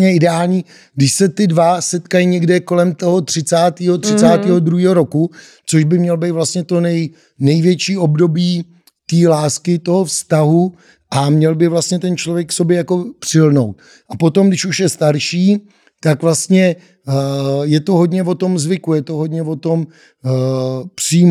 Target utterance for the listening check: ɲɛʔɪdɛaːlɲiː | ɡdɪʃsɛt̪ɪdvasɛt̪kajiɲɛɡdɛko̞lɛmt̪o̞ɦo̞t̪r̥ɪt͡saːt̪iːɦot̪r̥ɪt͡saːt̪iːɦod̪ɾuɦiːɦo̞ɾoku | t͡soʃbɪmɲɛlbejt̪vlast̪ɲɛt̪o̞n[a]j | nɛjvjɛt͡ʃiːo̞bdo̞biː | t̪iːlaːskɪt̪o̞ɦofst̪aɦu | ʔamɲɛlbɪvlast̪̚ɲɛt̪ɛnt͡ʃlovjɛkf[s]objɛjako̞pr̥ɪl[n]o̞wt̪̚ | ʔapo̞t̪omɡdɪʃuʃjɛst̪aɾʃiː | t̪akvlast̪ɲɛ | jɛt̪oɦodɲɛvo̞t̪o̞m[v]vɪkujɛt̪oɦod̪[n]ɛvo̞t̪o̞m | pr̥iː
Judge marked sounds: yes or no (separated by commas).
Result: no, yes, yes, no, no